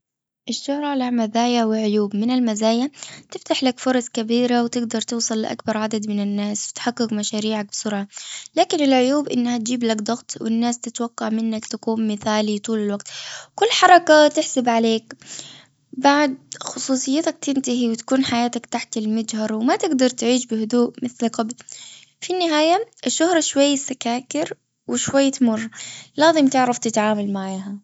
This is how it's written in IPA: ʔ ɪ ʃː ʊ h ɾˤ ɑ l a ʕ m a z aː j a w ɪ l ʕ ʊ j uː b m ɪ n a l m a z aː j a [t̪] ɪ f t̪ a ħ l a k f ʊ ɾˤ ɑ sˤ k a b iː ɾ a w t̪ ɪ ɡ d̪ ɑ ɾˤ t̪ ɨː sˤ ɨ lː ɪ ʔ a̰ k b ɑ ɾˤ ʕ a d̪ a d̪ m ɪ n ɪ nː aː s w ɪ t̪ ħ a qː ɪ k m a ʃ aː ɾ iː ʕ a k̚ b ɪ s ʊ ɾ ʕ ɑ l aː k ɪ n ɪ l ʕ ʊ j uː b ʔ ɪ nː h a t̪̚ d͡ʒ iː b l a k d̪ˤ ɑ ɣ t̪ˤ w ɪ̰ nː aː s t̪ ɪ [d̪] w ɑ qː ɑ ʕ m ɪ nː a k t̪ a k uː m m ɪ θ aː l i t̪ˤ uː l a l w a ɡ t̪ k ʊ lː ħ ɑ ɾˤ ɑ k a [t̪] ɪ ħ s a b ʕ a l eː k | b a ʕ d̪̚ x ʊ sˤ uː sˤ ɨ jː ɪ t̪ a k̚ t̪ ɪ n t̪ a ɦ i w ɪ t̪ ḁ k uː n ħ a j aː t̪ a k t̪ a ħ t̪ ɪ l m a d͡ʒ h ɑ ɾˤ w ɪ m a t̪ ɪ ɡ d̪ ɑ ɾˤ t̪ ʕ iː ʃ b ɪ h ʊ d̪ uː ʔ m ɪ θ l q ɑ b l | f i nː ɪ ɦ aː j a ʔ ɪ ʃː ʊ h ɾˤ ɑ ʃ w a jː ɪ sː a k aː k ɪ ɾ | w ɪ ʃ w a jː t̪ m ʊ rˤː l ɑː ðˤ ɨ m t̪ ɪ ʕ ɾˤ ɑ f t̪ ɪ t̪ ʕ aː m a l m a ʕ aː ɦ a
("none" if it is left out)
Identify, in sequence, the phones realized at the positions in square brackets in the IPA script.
t̪, t̪, t̪

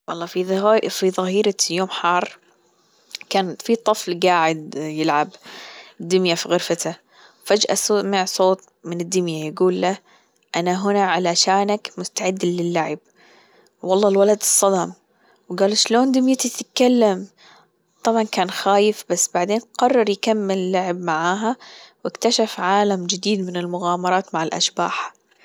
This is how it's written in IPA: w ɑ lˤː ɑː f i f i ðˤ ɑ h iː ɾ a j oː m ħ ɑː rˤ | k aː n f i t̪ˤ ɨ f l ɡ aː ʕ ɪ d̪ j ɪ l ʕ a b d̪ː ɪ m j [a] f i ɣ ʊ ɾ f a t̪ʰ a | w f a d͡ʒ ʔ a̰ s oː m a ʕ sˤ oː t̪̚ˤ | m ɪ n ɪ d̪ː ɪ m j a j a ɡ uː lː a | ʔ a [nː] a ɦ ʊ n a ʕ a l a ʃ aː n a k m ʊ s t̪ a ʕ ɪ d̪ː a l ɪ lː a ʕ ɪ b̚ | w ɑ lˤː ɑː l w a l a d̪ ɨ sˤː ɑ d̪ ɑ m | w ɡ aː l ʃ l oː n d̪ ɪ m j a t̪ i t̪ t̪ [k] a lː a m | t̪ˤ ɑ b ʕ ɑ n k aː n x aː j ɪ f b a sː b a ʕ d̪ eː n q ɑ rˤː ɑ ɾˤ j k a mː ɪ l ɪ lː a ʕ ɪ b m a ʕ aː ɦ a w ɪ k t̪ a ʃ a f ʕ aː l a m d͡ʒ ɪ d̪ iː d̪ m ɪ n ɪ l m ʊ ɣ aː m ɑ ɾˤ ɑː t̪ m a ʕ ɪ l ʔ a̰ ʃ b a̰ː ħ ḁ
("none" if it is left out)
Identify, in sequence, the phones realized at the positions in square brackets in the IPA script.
a, n, k

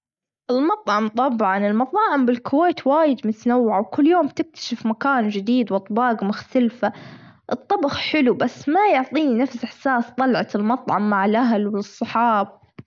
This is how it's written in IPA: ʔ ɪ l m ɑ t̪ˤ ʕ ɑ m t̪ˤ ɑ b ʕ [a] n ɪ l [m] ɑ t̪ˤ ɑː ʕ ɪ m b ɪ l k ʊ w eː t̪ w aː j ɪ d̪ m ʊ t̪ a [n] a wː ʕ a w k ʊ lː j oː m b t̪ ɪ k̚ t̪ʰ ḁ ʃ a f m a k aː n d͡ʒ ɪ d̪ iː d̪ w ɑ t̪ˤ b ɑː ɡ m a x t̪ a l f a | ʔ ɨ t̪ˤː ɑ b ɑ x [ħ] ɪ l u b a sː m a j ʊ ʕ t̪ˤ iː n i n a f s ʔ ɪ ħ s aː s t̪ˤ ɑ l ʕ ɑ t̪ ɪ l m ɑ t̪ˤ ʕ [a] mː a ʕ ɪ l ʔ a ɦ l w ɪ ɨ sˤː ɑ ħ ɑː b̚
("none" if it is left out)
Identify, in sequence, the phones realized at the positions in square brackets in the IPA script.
ɑ, m, n, ħ, ɑ

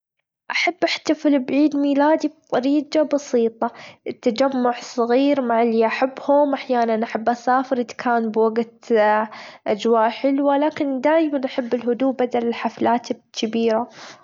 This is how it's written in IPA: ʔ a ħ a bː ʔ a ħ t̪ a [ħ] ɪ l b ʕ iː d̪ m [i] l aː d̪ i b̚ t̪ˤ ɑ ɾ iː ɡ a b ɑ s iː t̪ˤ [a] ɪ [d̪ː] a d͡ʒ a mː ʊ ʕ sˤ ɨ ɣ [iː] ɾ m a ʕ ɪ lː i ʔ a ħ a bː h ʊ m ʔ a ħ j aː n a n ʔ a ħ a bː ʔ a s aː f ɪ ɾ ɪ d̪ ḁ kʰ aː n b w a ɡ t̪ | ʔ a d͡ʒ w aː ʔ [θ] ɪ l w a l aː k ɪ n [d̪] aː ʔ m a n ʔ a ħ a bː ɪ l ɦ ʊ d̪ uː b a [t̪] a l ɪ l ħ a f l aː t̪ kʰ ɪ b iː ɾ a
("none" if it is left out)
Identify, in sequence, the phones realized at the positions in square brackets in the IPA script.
f, iː, ɑ, t̪ː, iː, ħ, d̪, d̪

